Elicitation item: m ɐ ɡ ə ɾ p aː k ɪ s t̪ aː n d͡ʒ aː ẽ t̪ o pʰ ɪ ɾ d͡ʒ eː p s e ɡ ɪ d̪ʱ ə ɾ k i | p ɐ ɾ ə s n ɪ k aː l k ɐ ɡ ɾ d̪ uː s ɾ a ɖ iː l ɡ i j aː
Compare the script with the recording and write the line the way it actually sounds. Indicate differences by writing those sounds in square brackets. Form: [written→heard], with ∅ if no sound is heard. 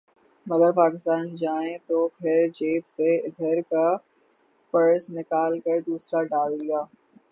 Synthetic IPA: m ɐ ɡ ə ɾ p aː k ɪ s t̪ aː n d͡ʒ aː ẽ t̪ o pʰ ɪ ɾ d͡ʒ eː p s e [ɡ→∅] ɪ d̪ʱ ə ɾ k [i→a] | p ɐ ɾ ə s n ɪ k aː l k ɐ [ɡ→∅] ɾ d̪ uː s ɾ a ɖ [iː→aː] l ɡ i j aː